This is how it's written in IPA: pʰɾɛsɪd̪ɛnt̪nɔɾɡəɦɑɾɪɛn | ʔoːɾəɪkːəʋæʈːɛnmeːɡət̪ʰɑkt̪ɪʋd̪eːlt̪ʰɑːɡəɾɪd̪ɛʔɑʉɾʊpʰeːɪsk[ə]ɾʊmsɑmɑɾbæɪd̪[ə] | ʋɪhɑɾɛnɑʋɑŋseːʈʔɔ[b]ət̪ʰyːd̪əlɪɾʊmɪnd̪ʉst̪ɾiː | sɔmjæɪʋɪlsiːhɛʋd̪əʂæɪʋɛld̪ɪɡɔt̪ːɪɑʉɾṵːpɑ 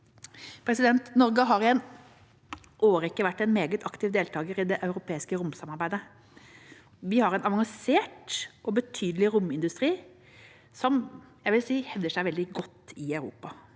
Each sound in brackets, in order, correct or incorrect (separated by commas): correct, correct, correct